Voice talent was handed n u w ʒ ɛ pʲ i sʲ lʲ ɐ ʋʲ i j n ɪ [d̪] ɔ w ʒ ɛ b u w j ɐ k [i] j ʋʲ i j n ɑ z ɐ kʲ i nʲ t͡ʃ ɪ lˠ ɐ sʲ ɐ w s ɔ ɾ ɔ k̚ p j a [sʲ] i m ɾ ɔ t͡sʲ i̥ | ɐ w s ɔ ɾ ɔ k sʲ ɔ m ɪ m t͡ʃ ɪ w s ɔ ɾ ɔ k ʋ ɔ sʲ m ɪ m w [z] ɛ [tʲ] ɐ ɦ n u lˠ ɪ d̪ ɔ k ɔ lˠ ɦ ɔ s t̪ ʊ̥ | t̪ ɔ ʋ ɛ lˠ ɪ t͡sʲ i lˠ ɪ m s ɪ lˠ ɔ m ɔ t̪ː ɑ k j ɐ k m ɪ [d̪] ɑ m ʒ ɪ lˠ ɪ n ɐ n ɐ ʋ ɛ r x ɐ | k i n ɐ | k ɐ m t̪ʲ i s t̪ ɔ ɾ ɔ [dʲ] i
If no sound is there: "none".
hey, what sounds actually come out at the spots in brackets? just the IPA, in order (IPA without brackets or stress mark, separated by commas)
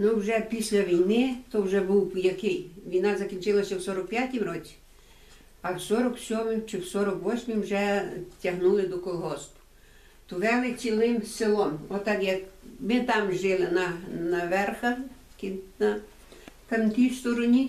t̪, ɪ, tʲ, ʒ, tʲ, t̪, nʲ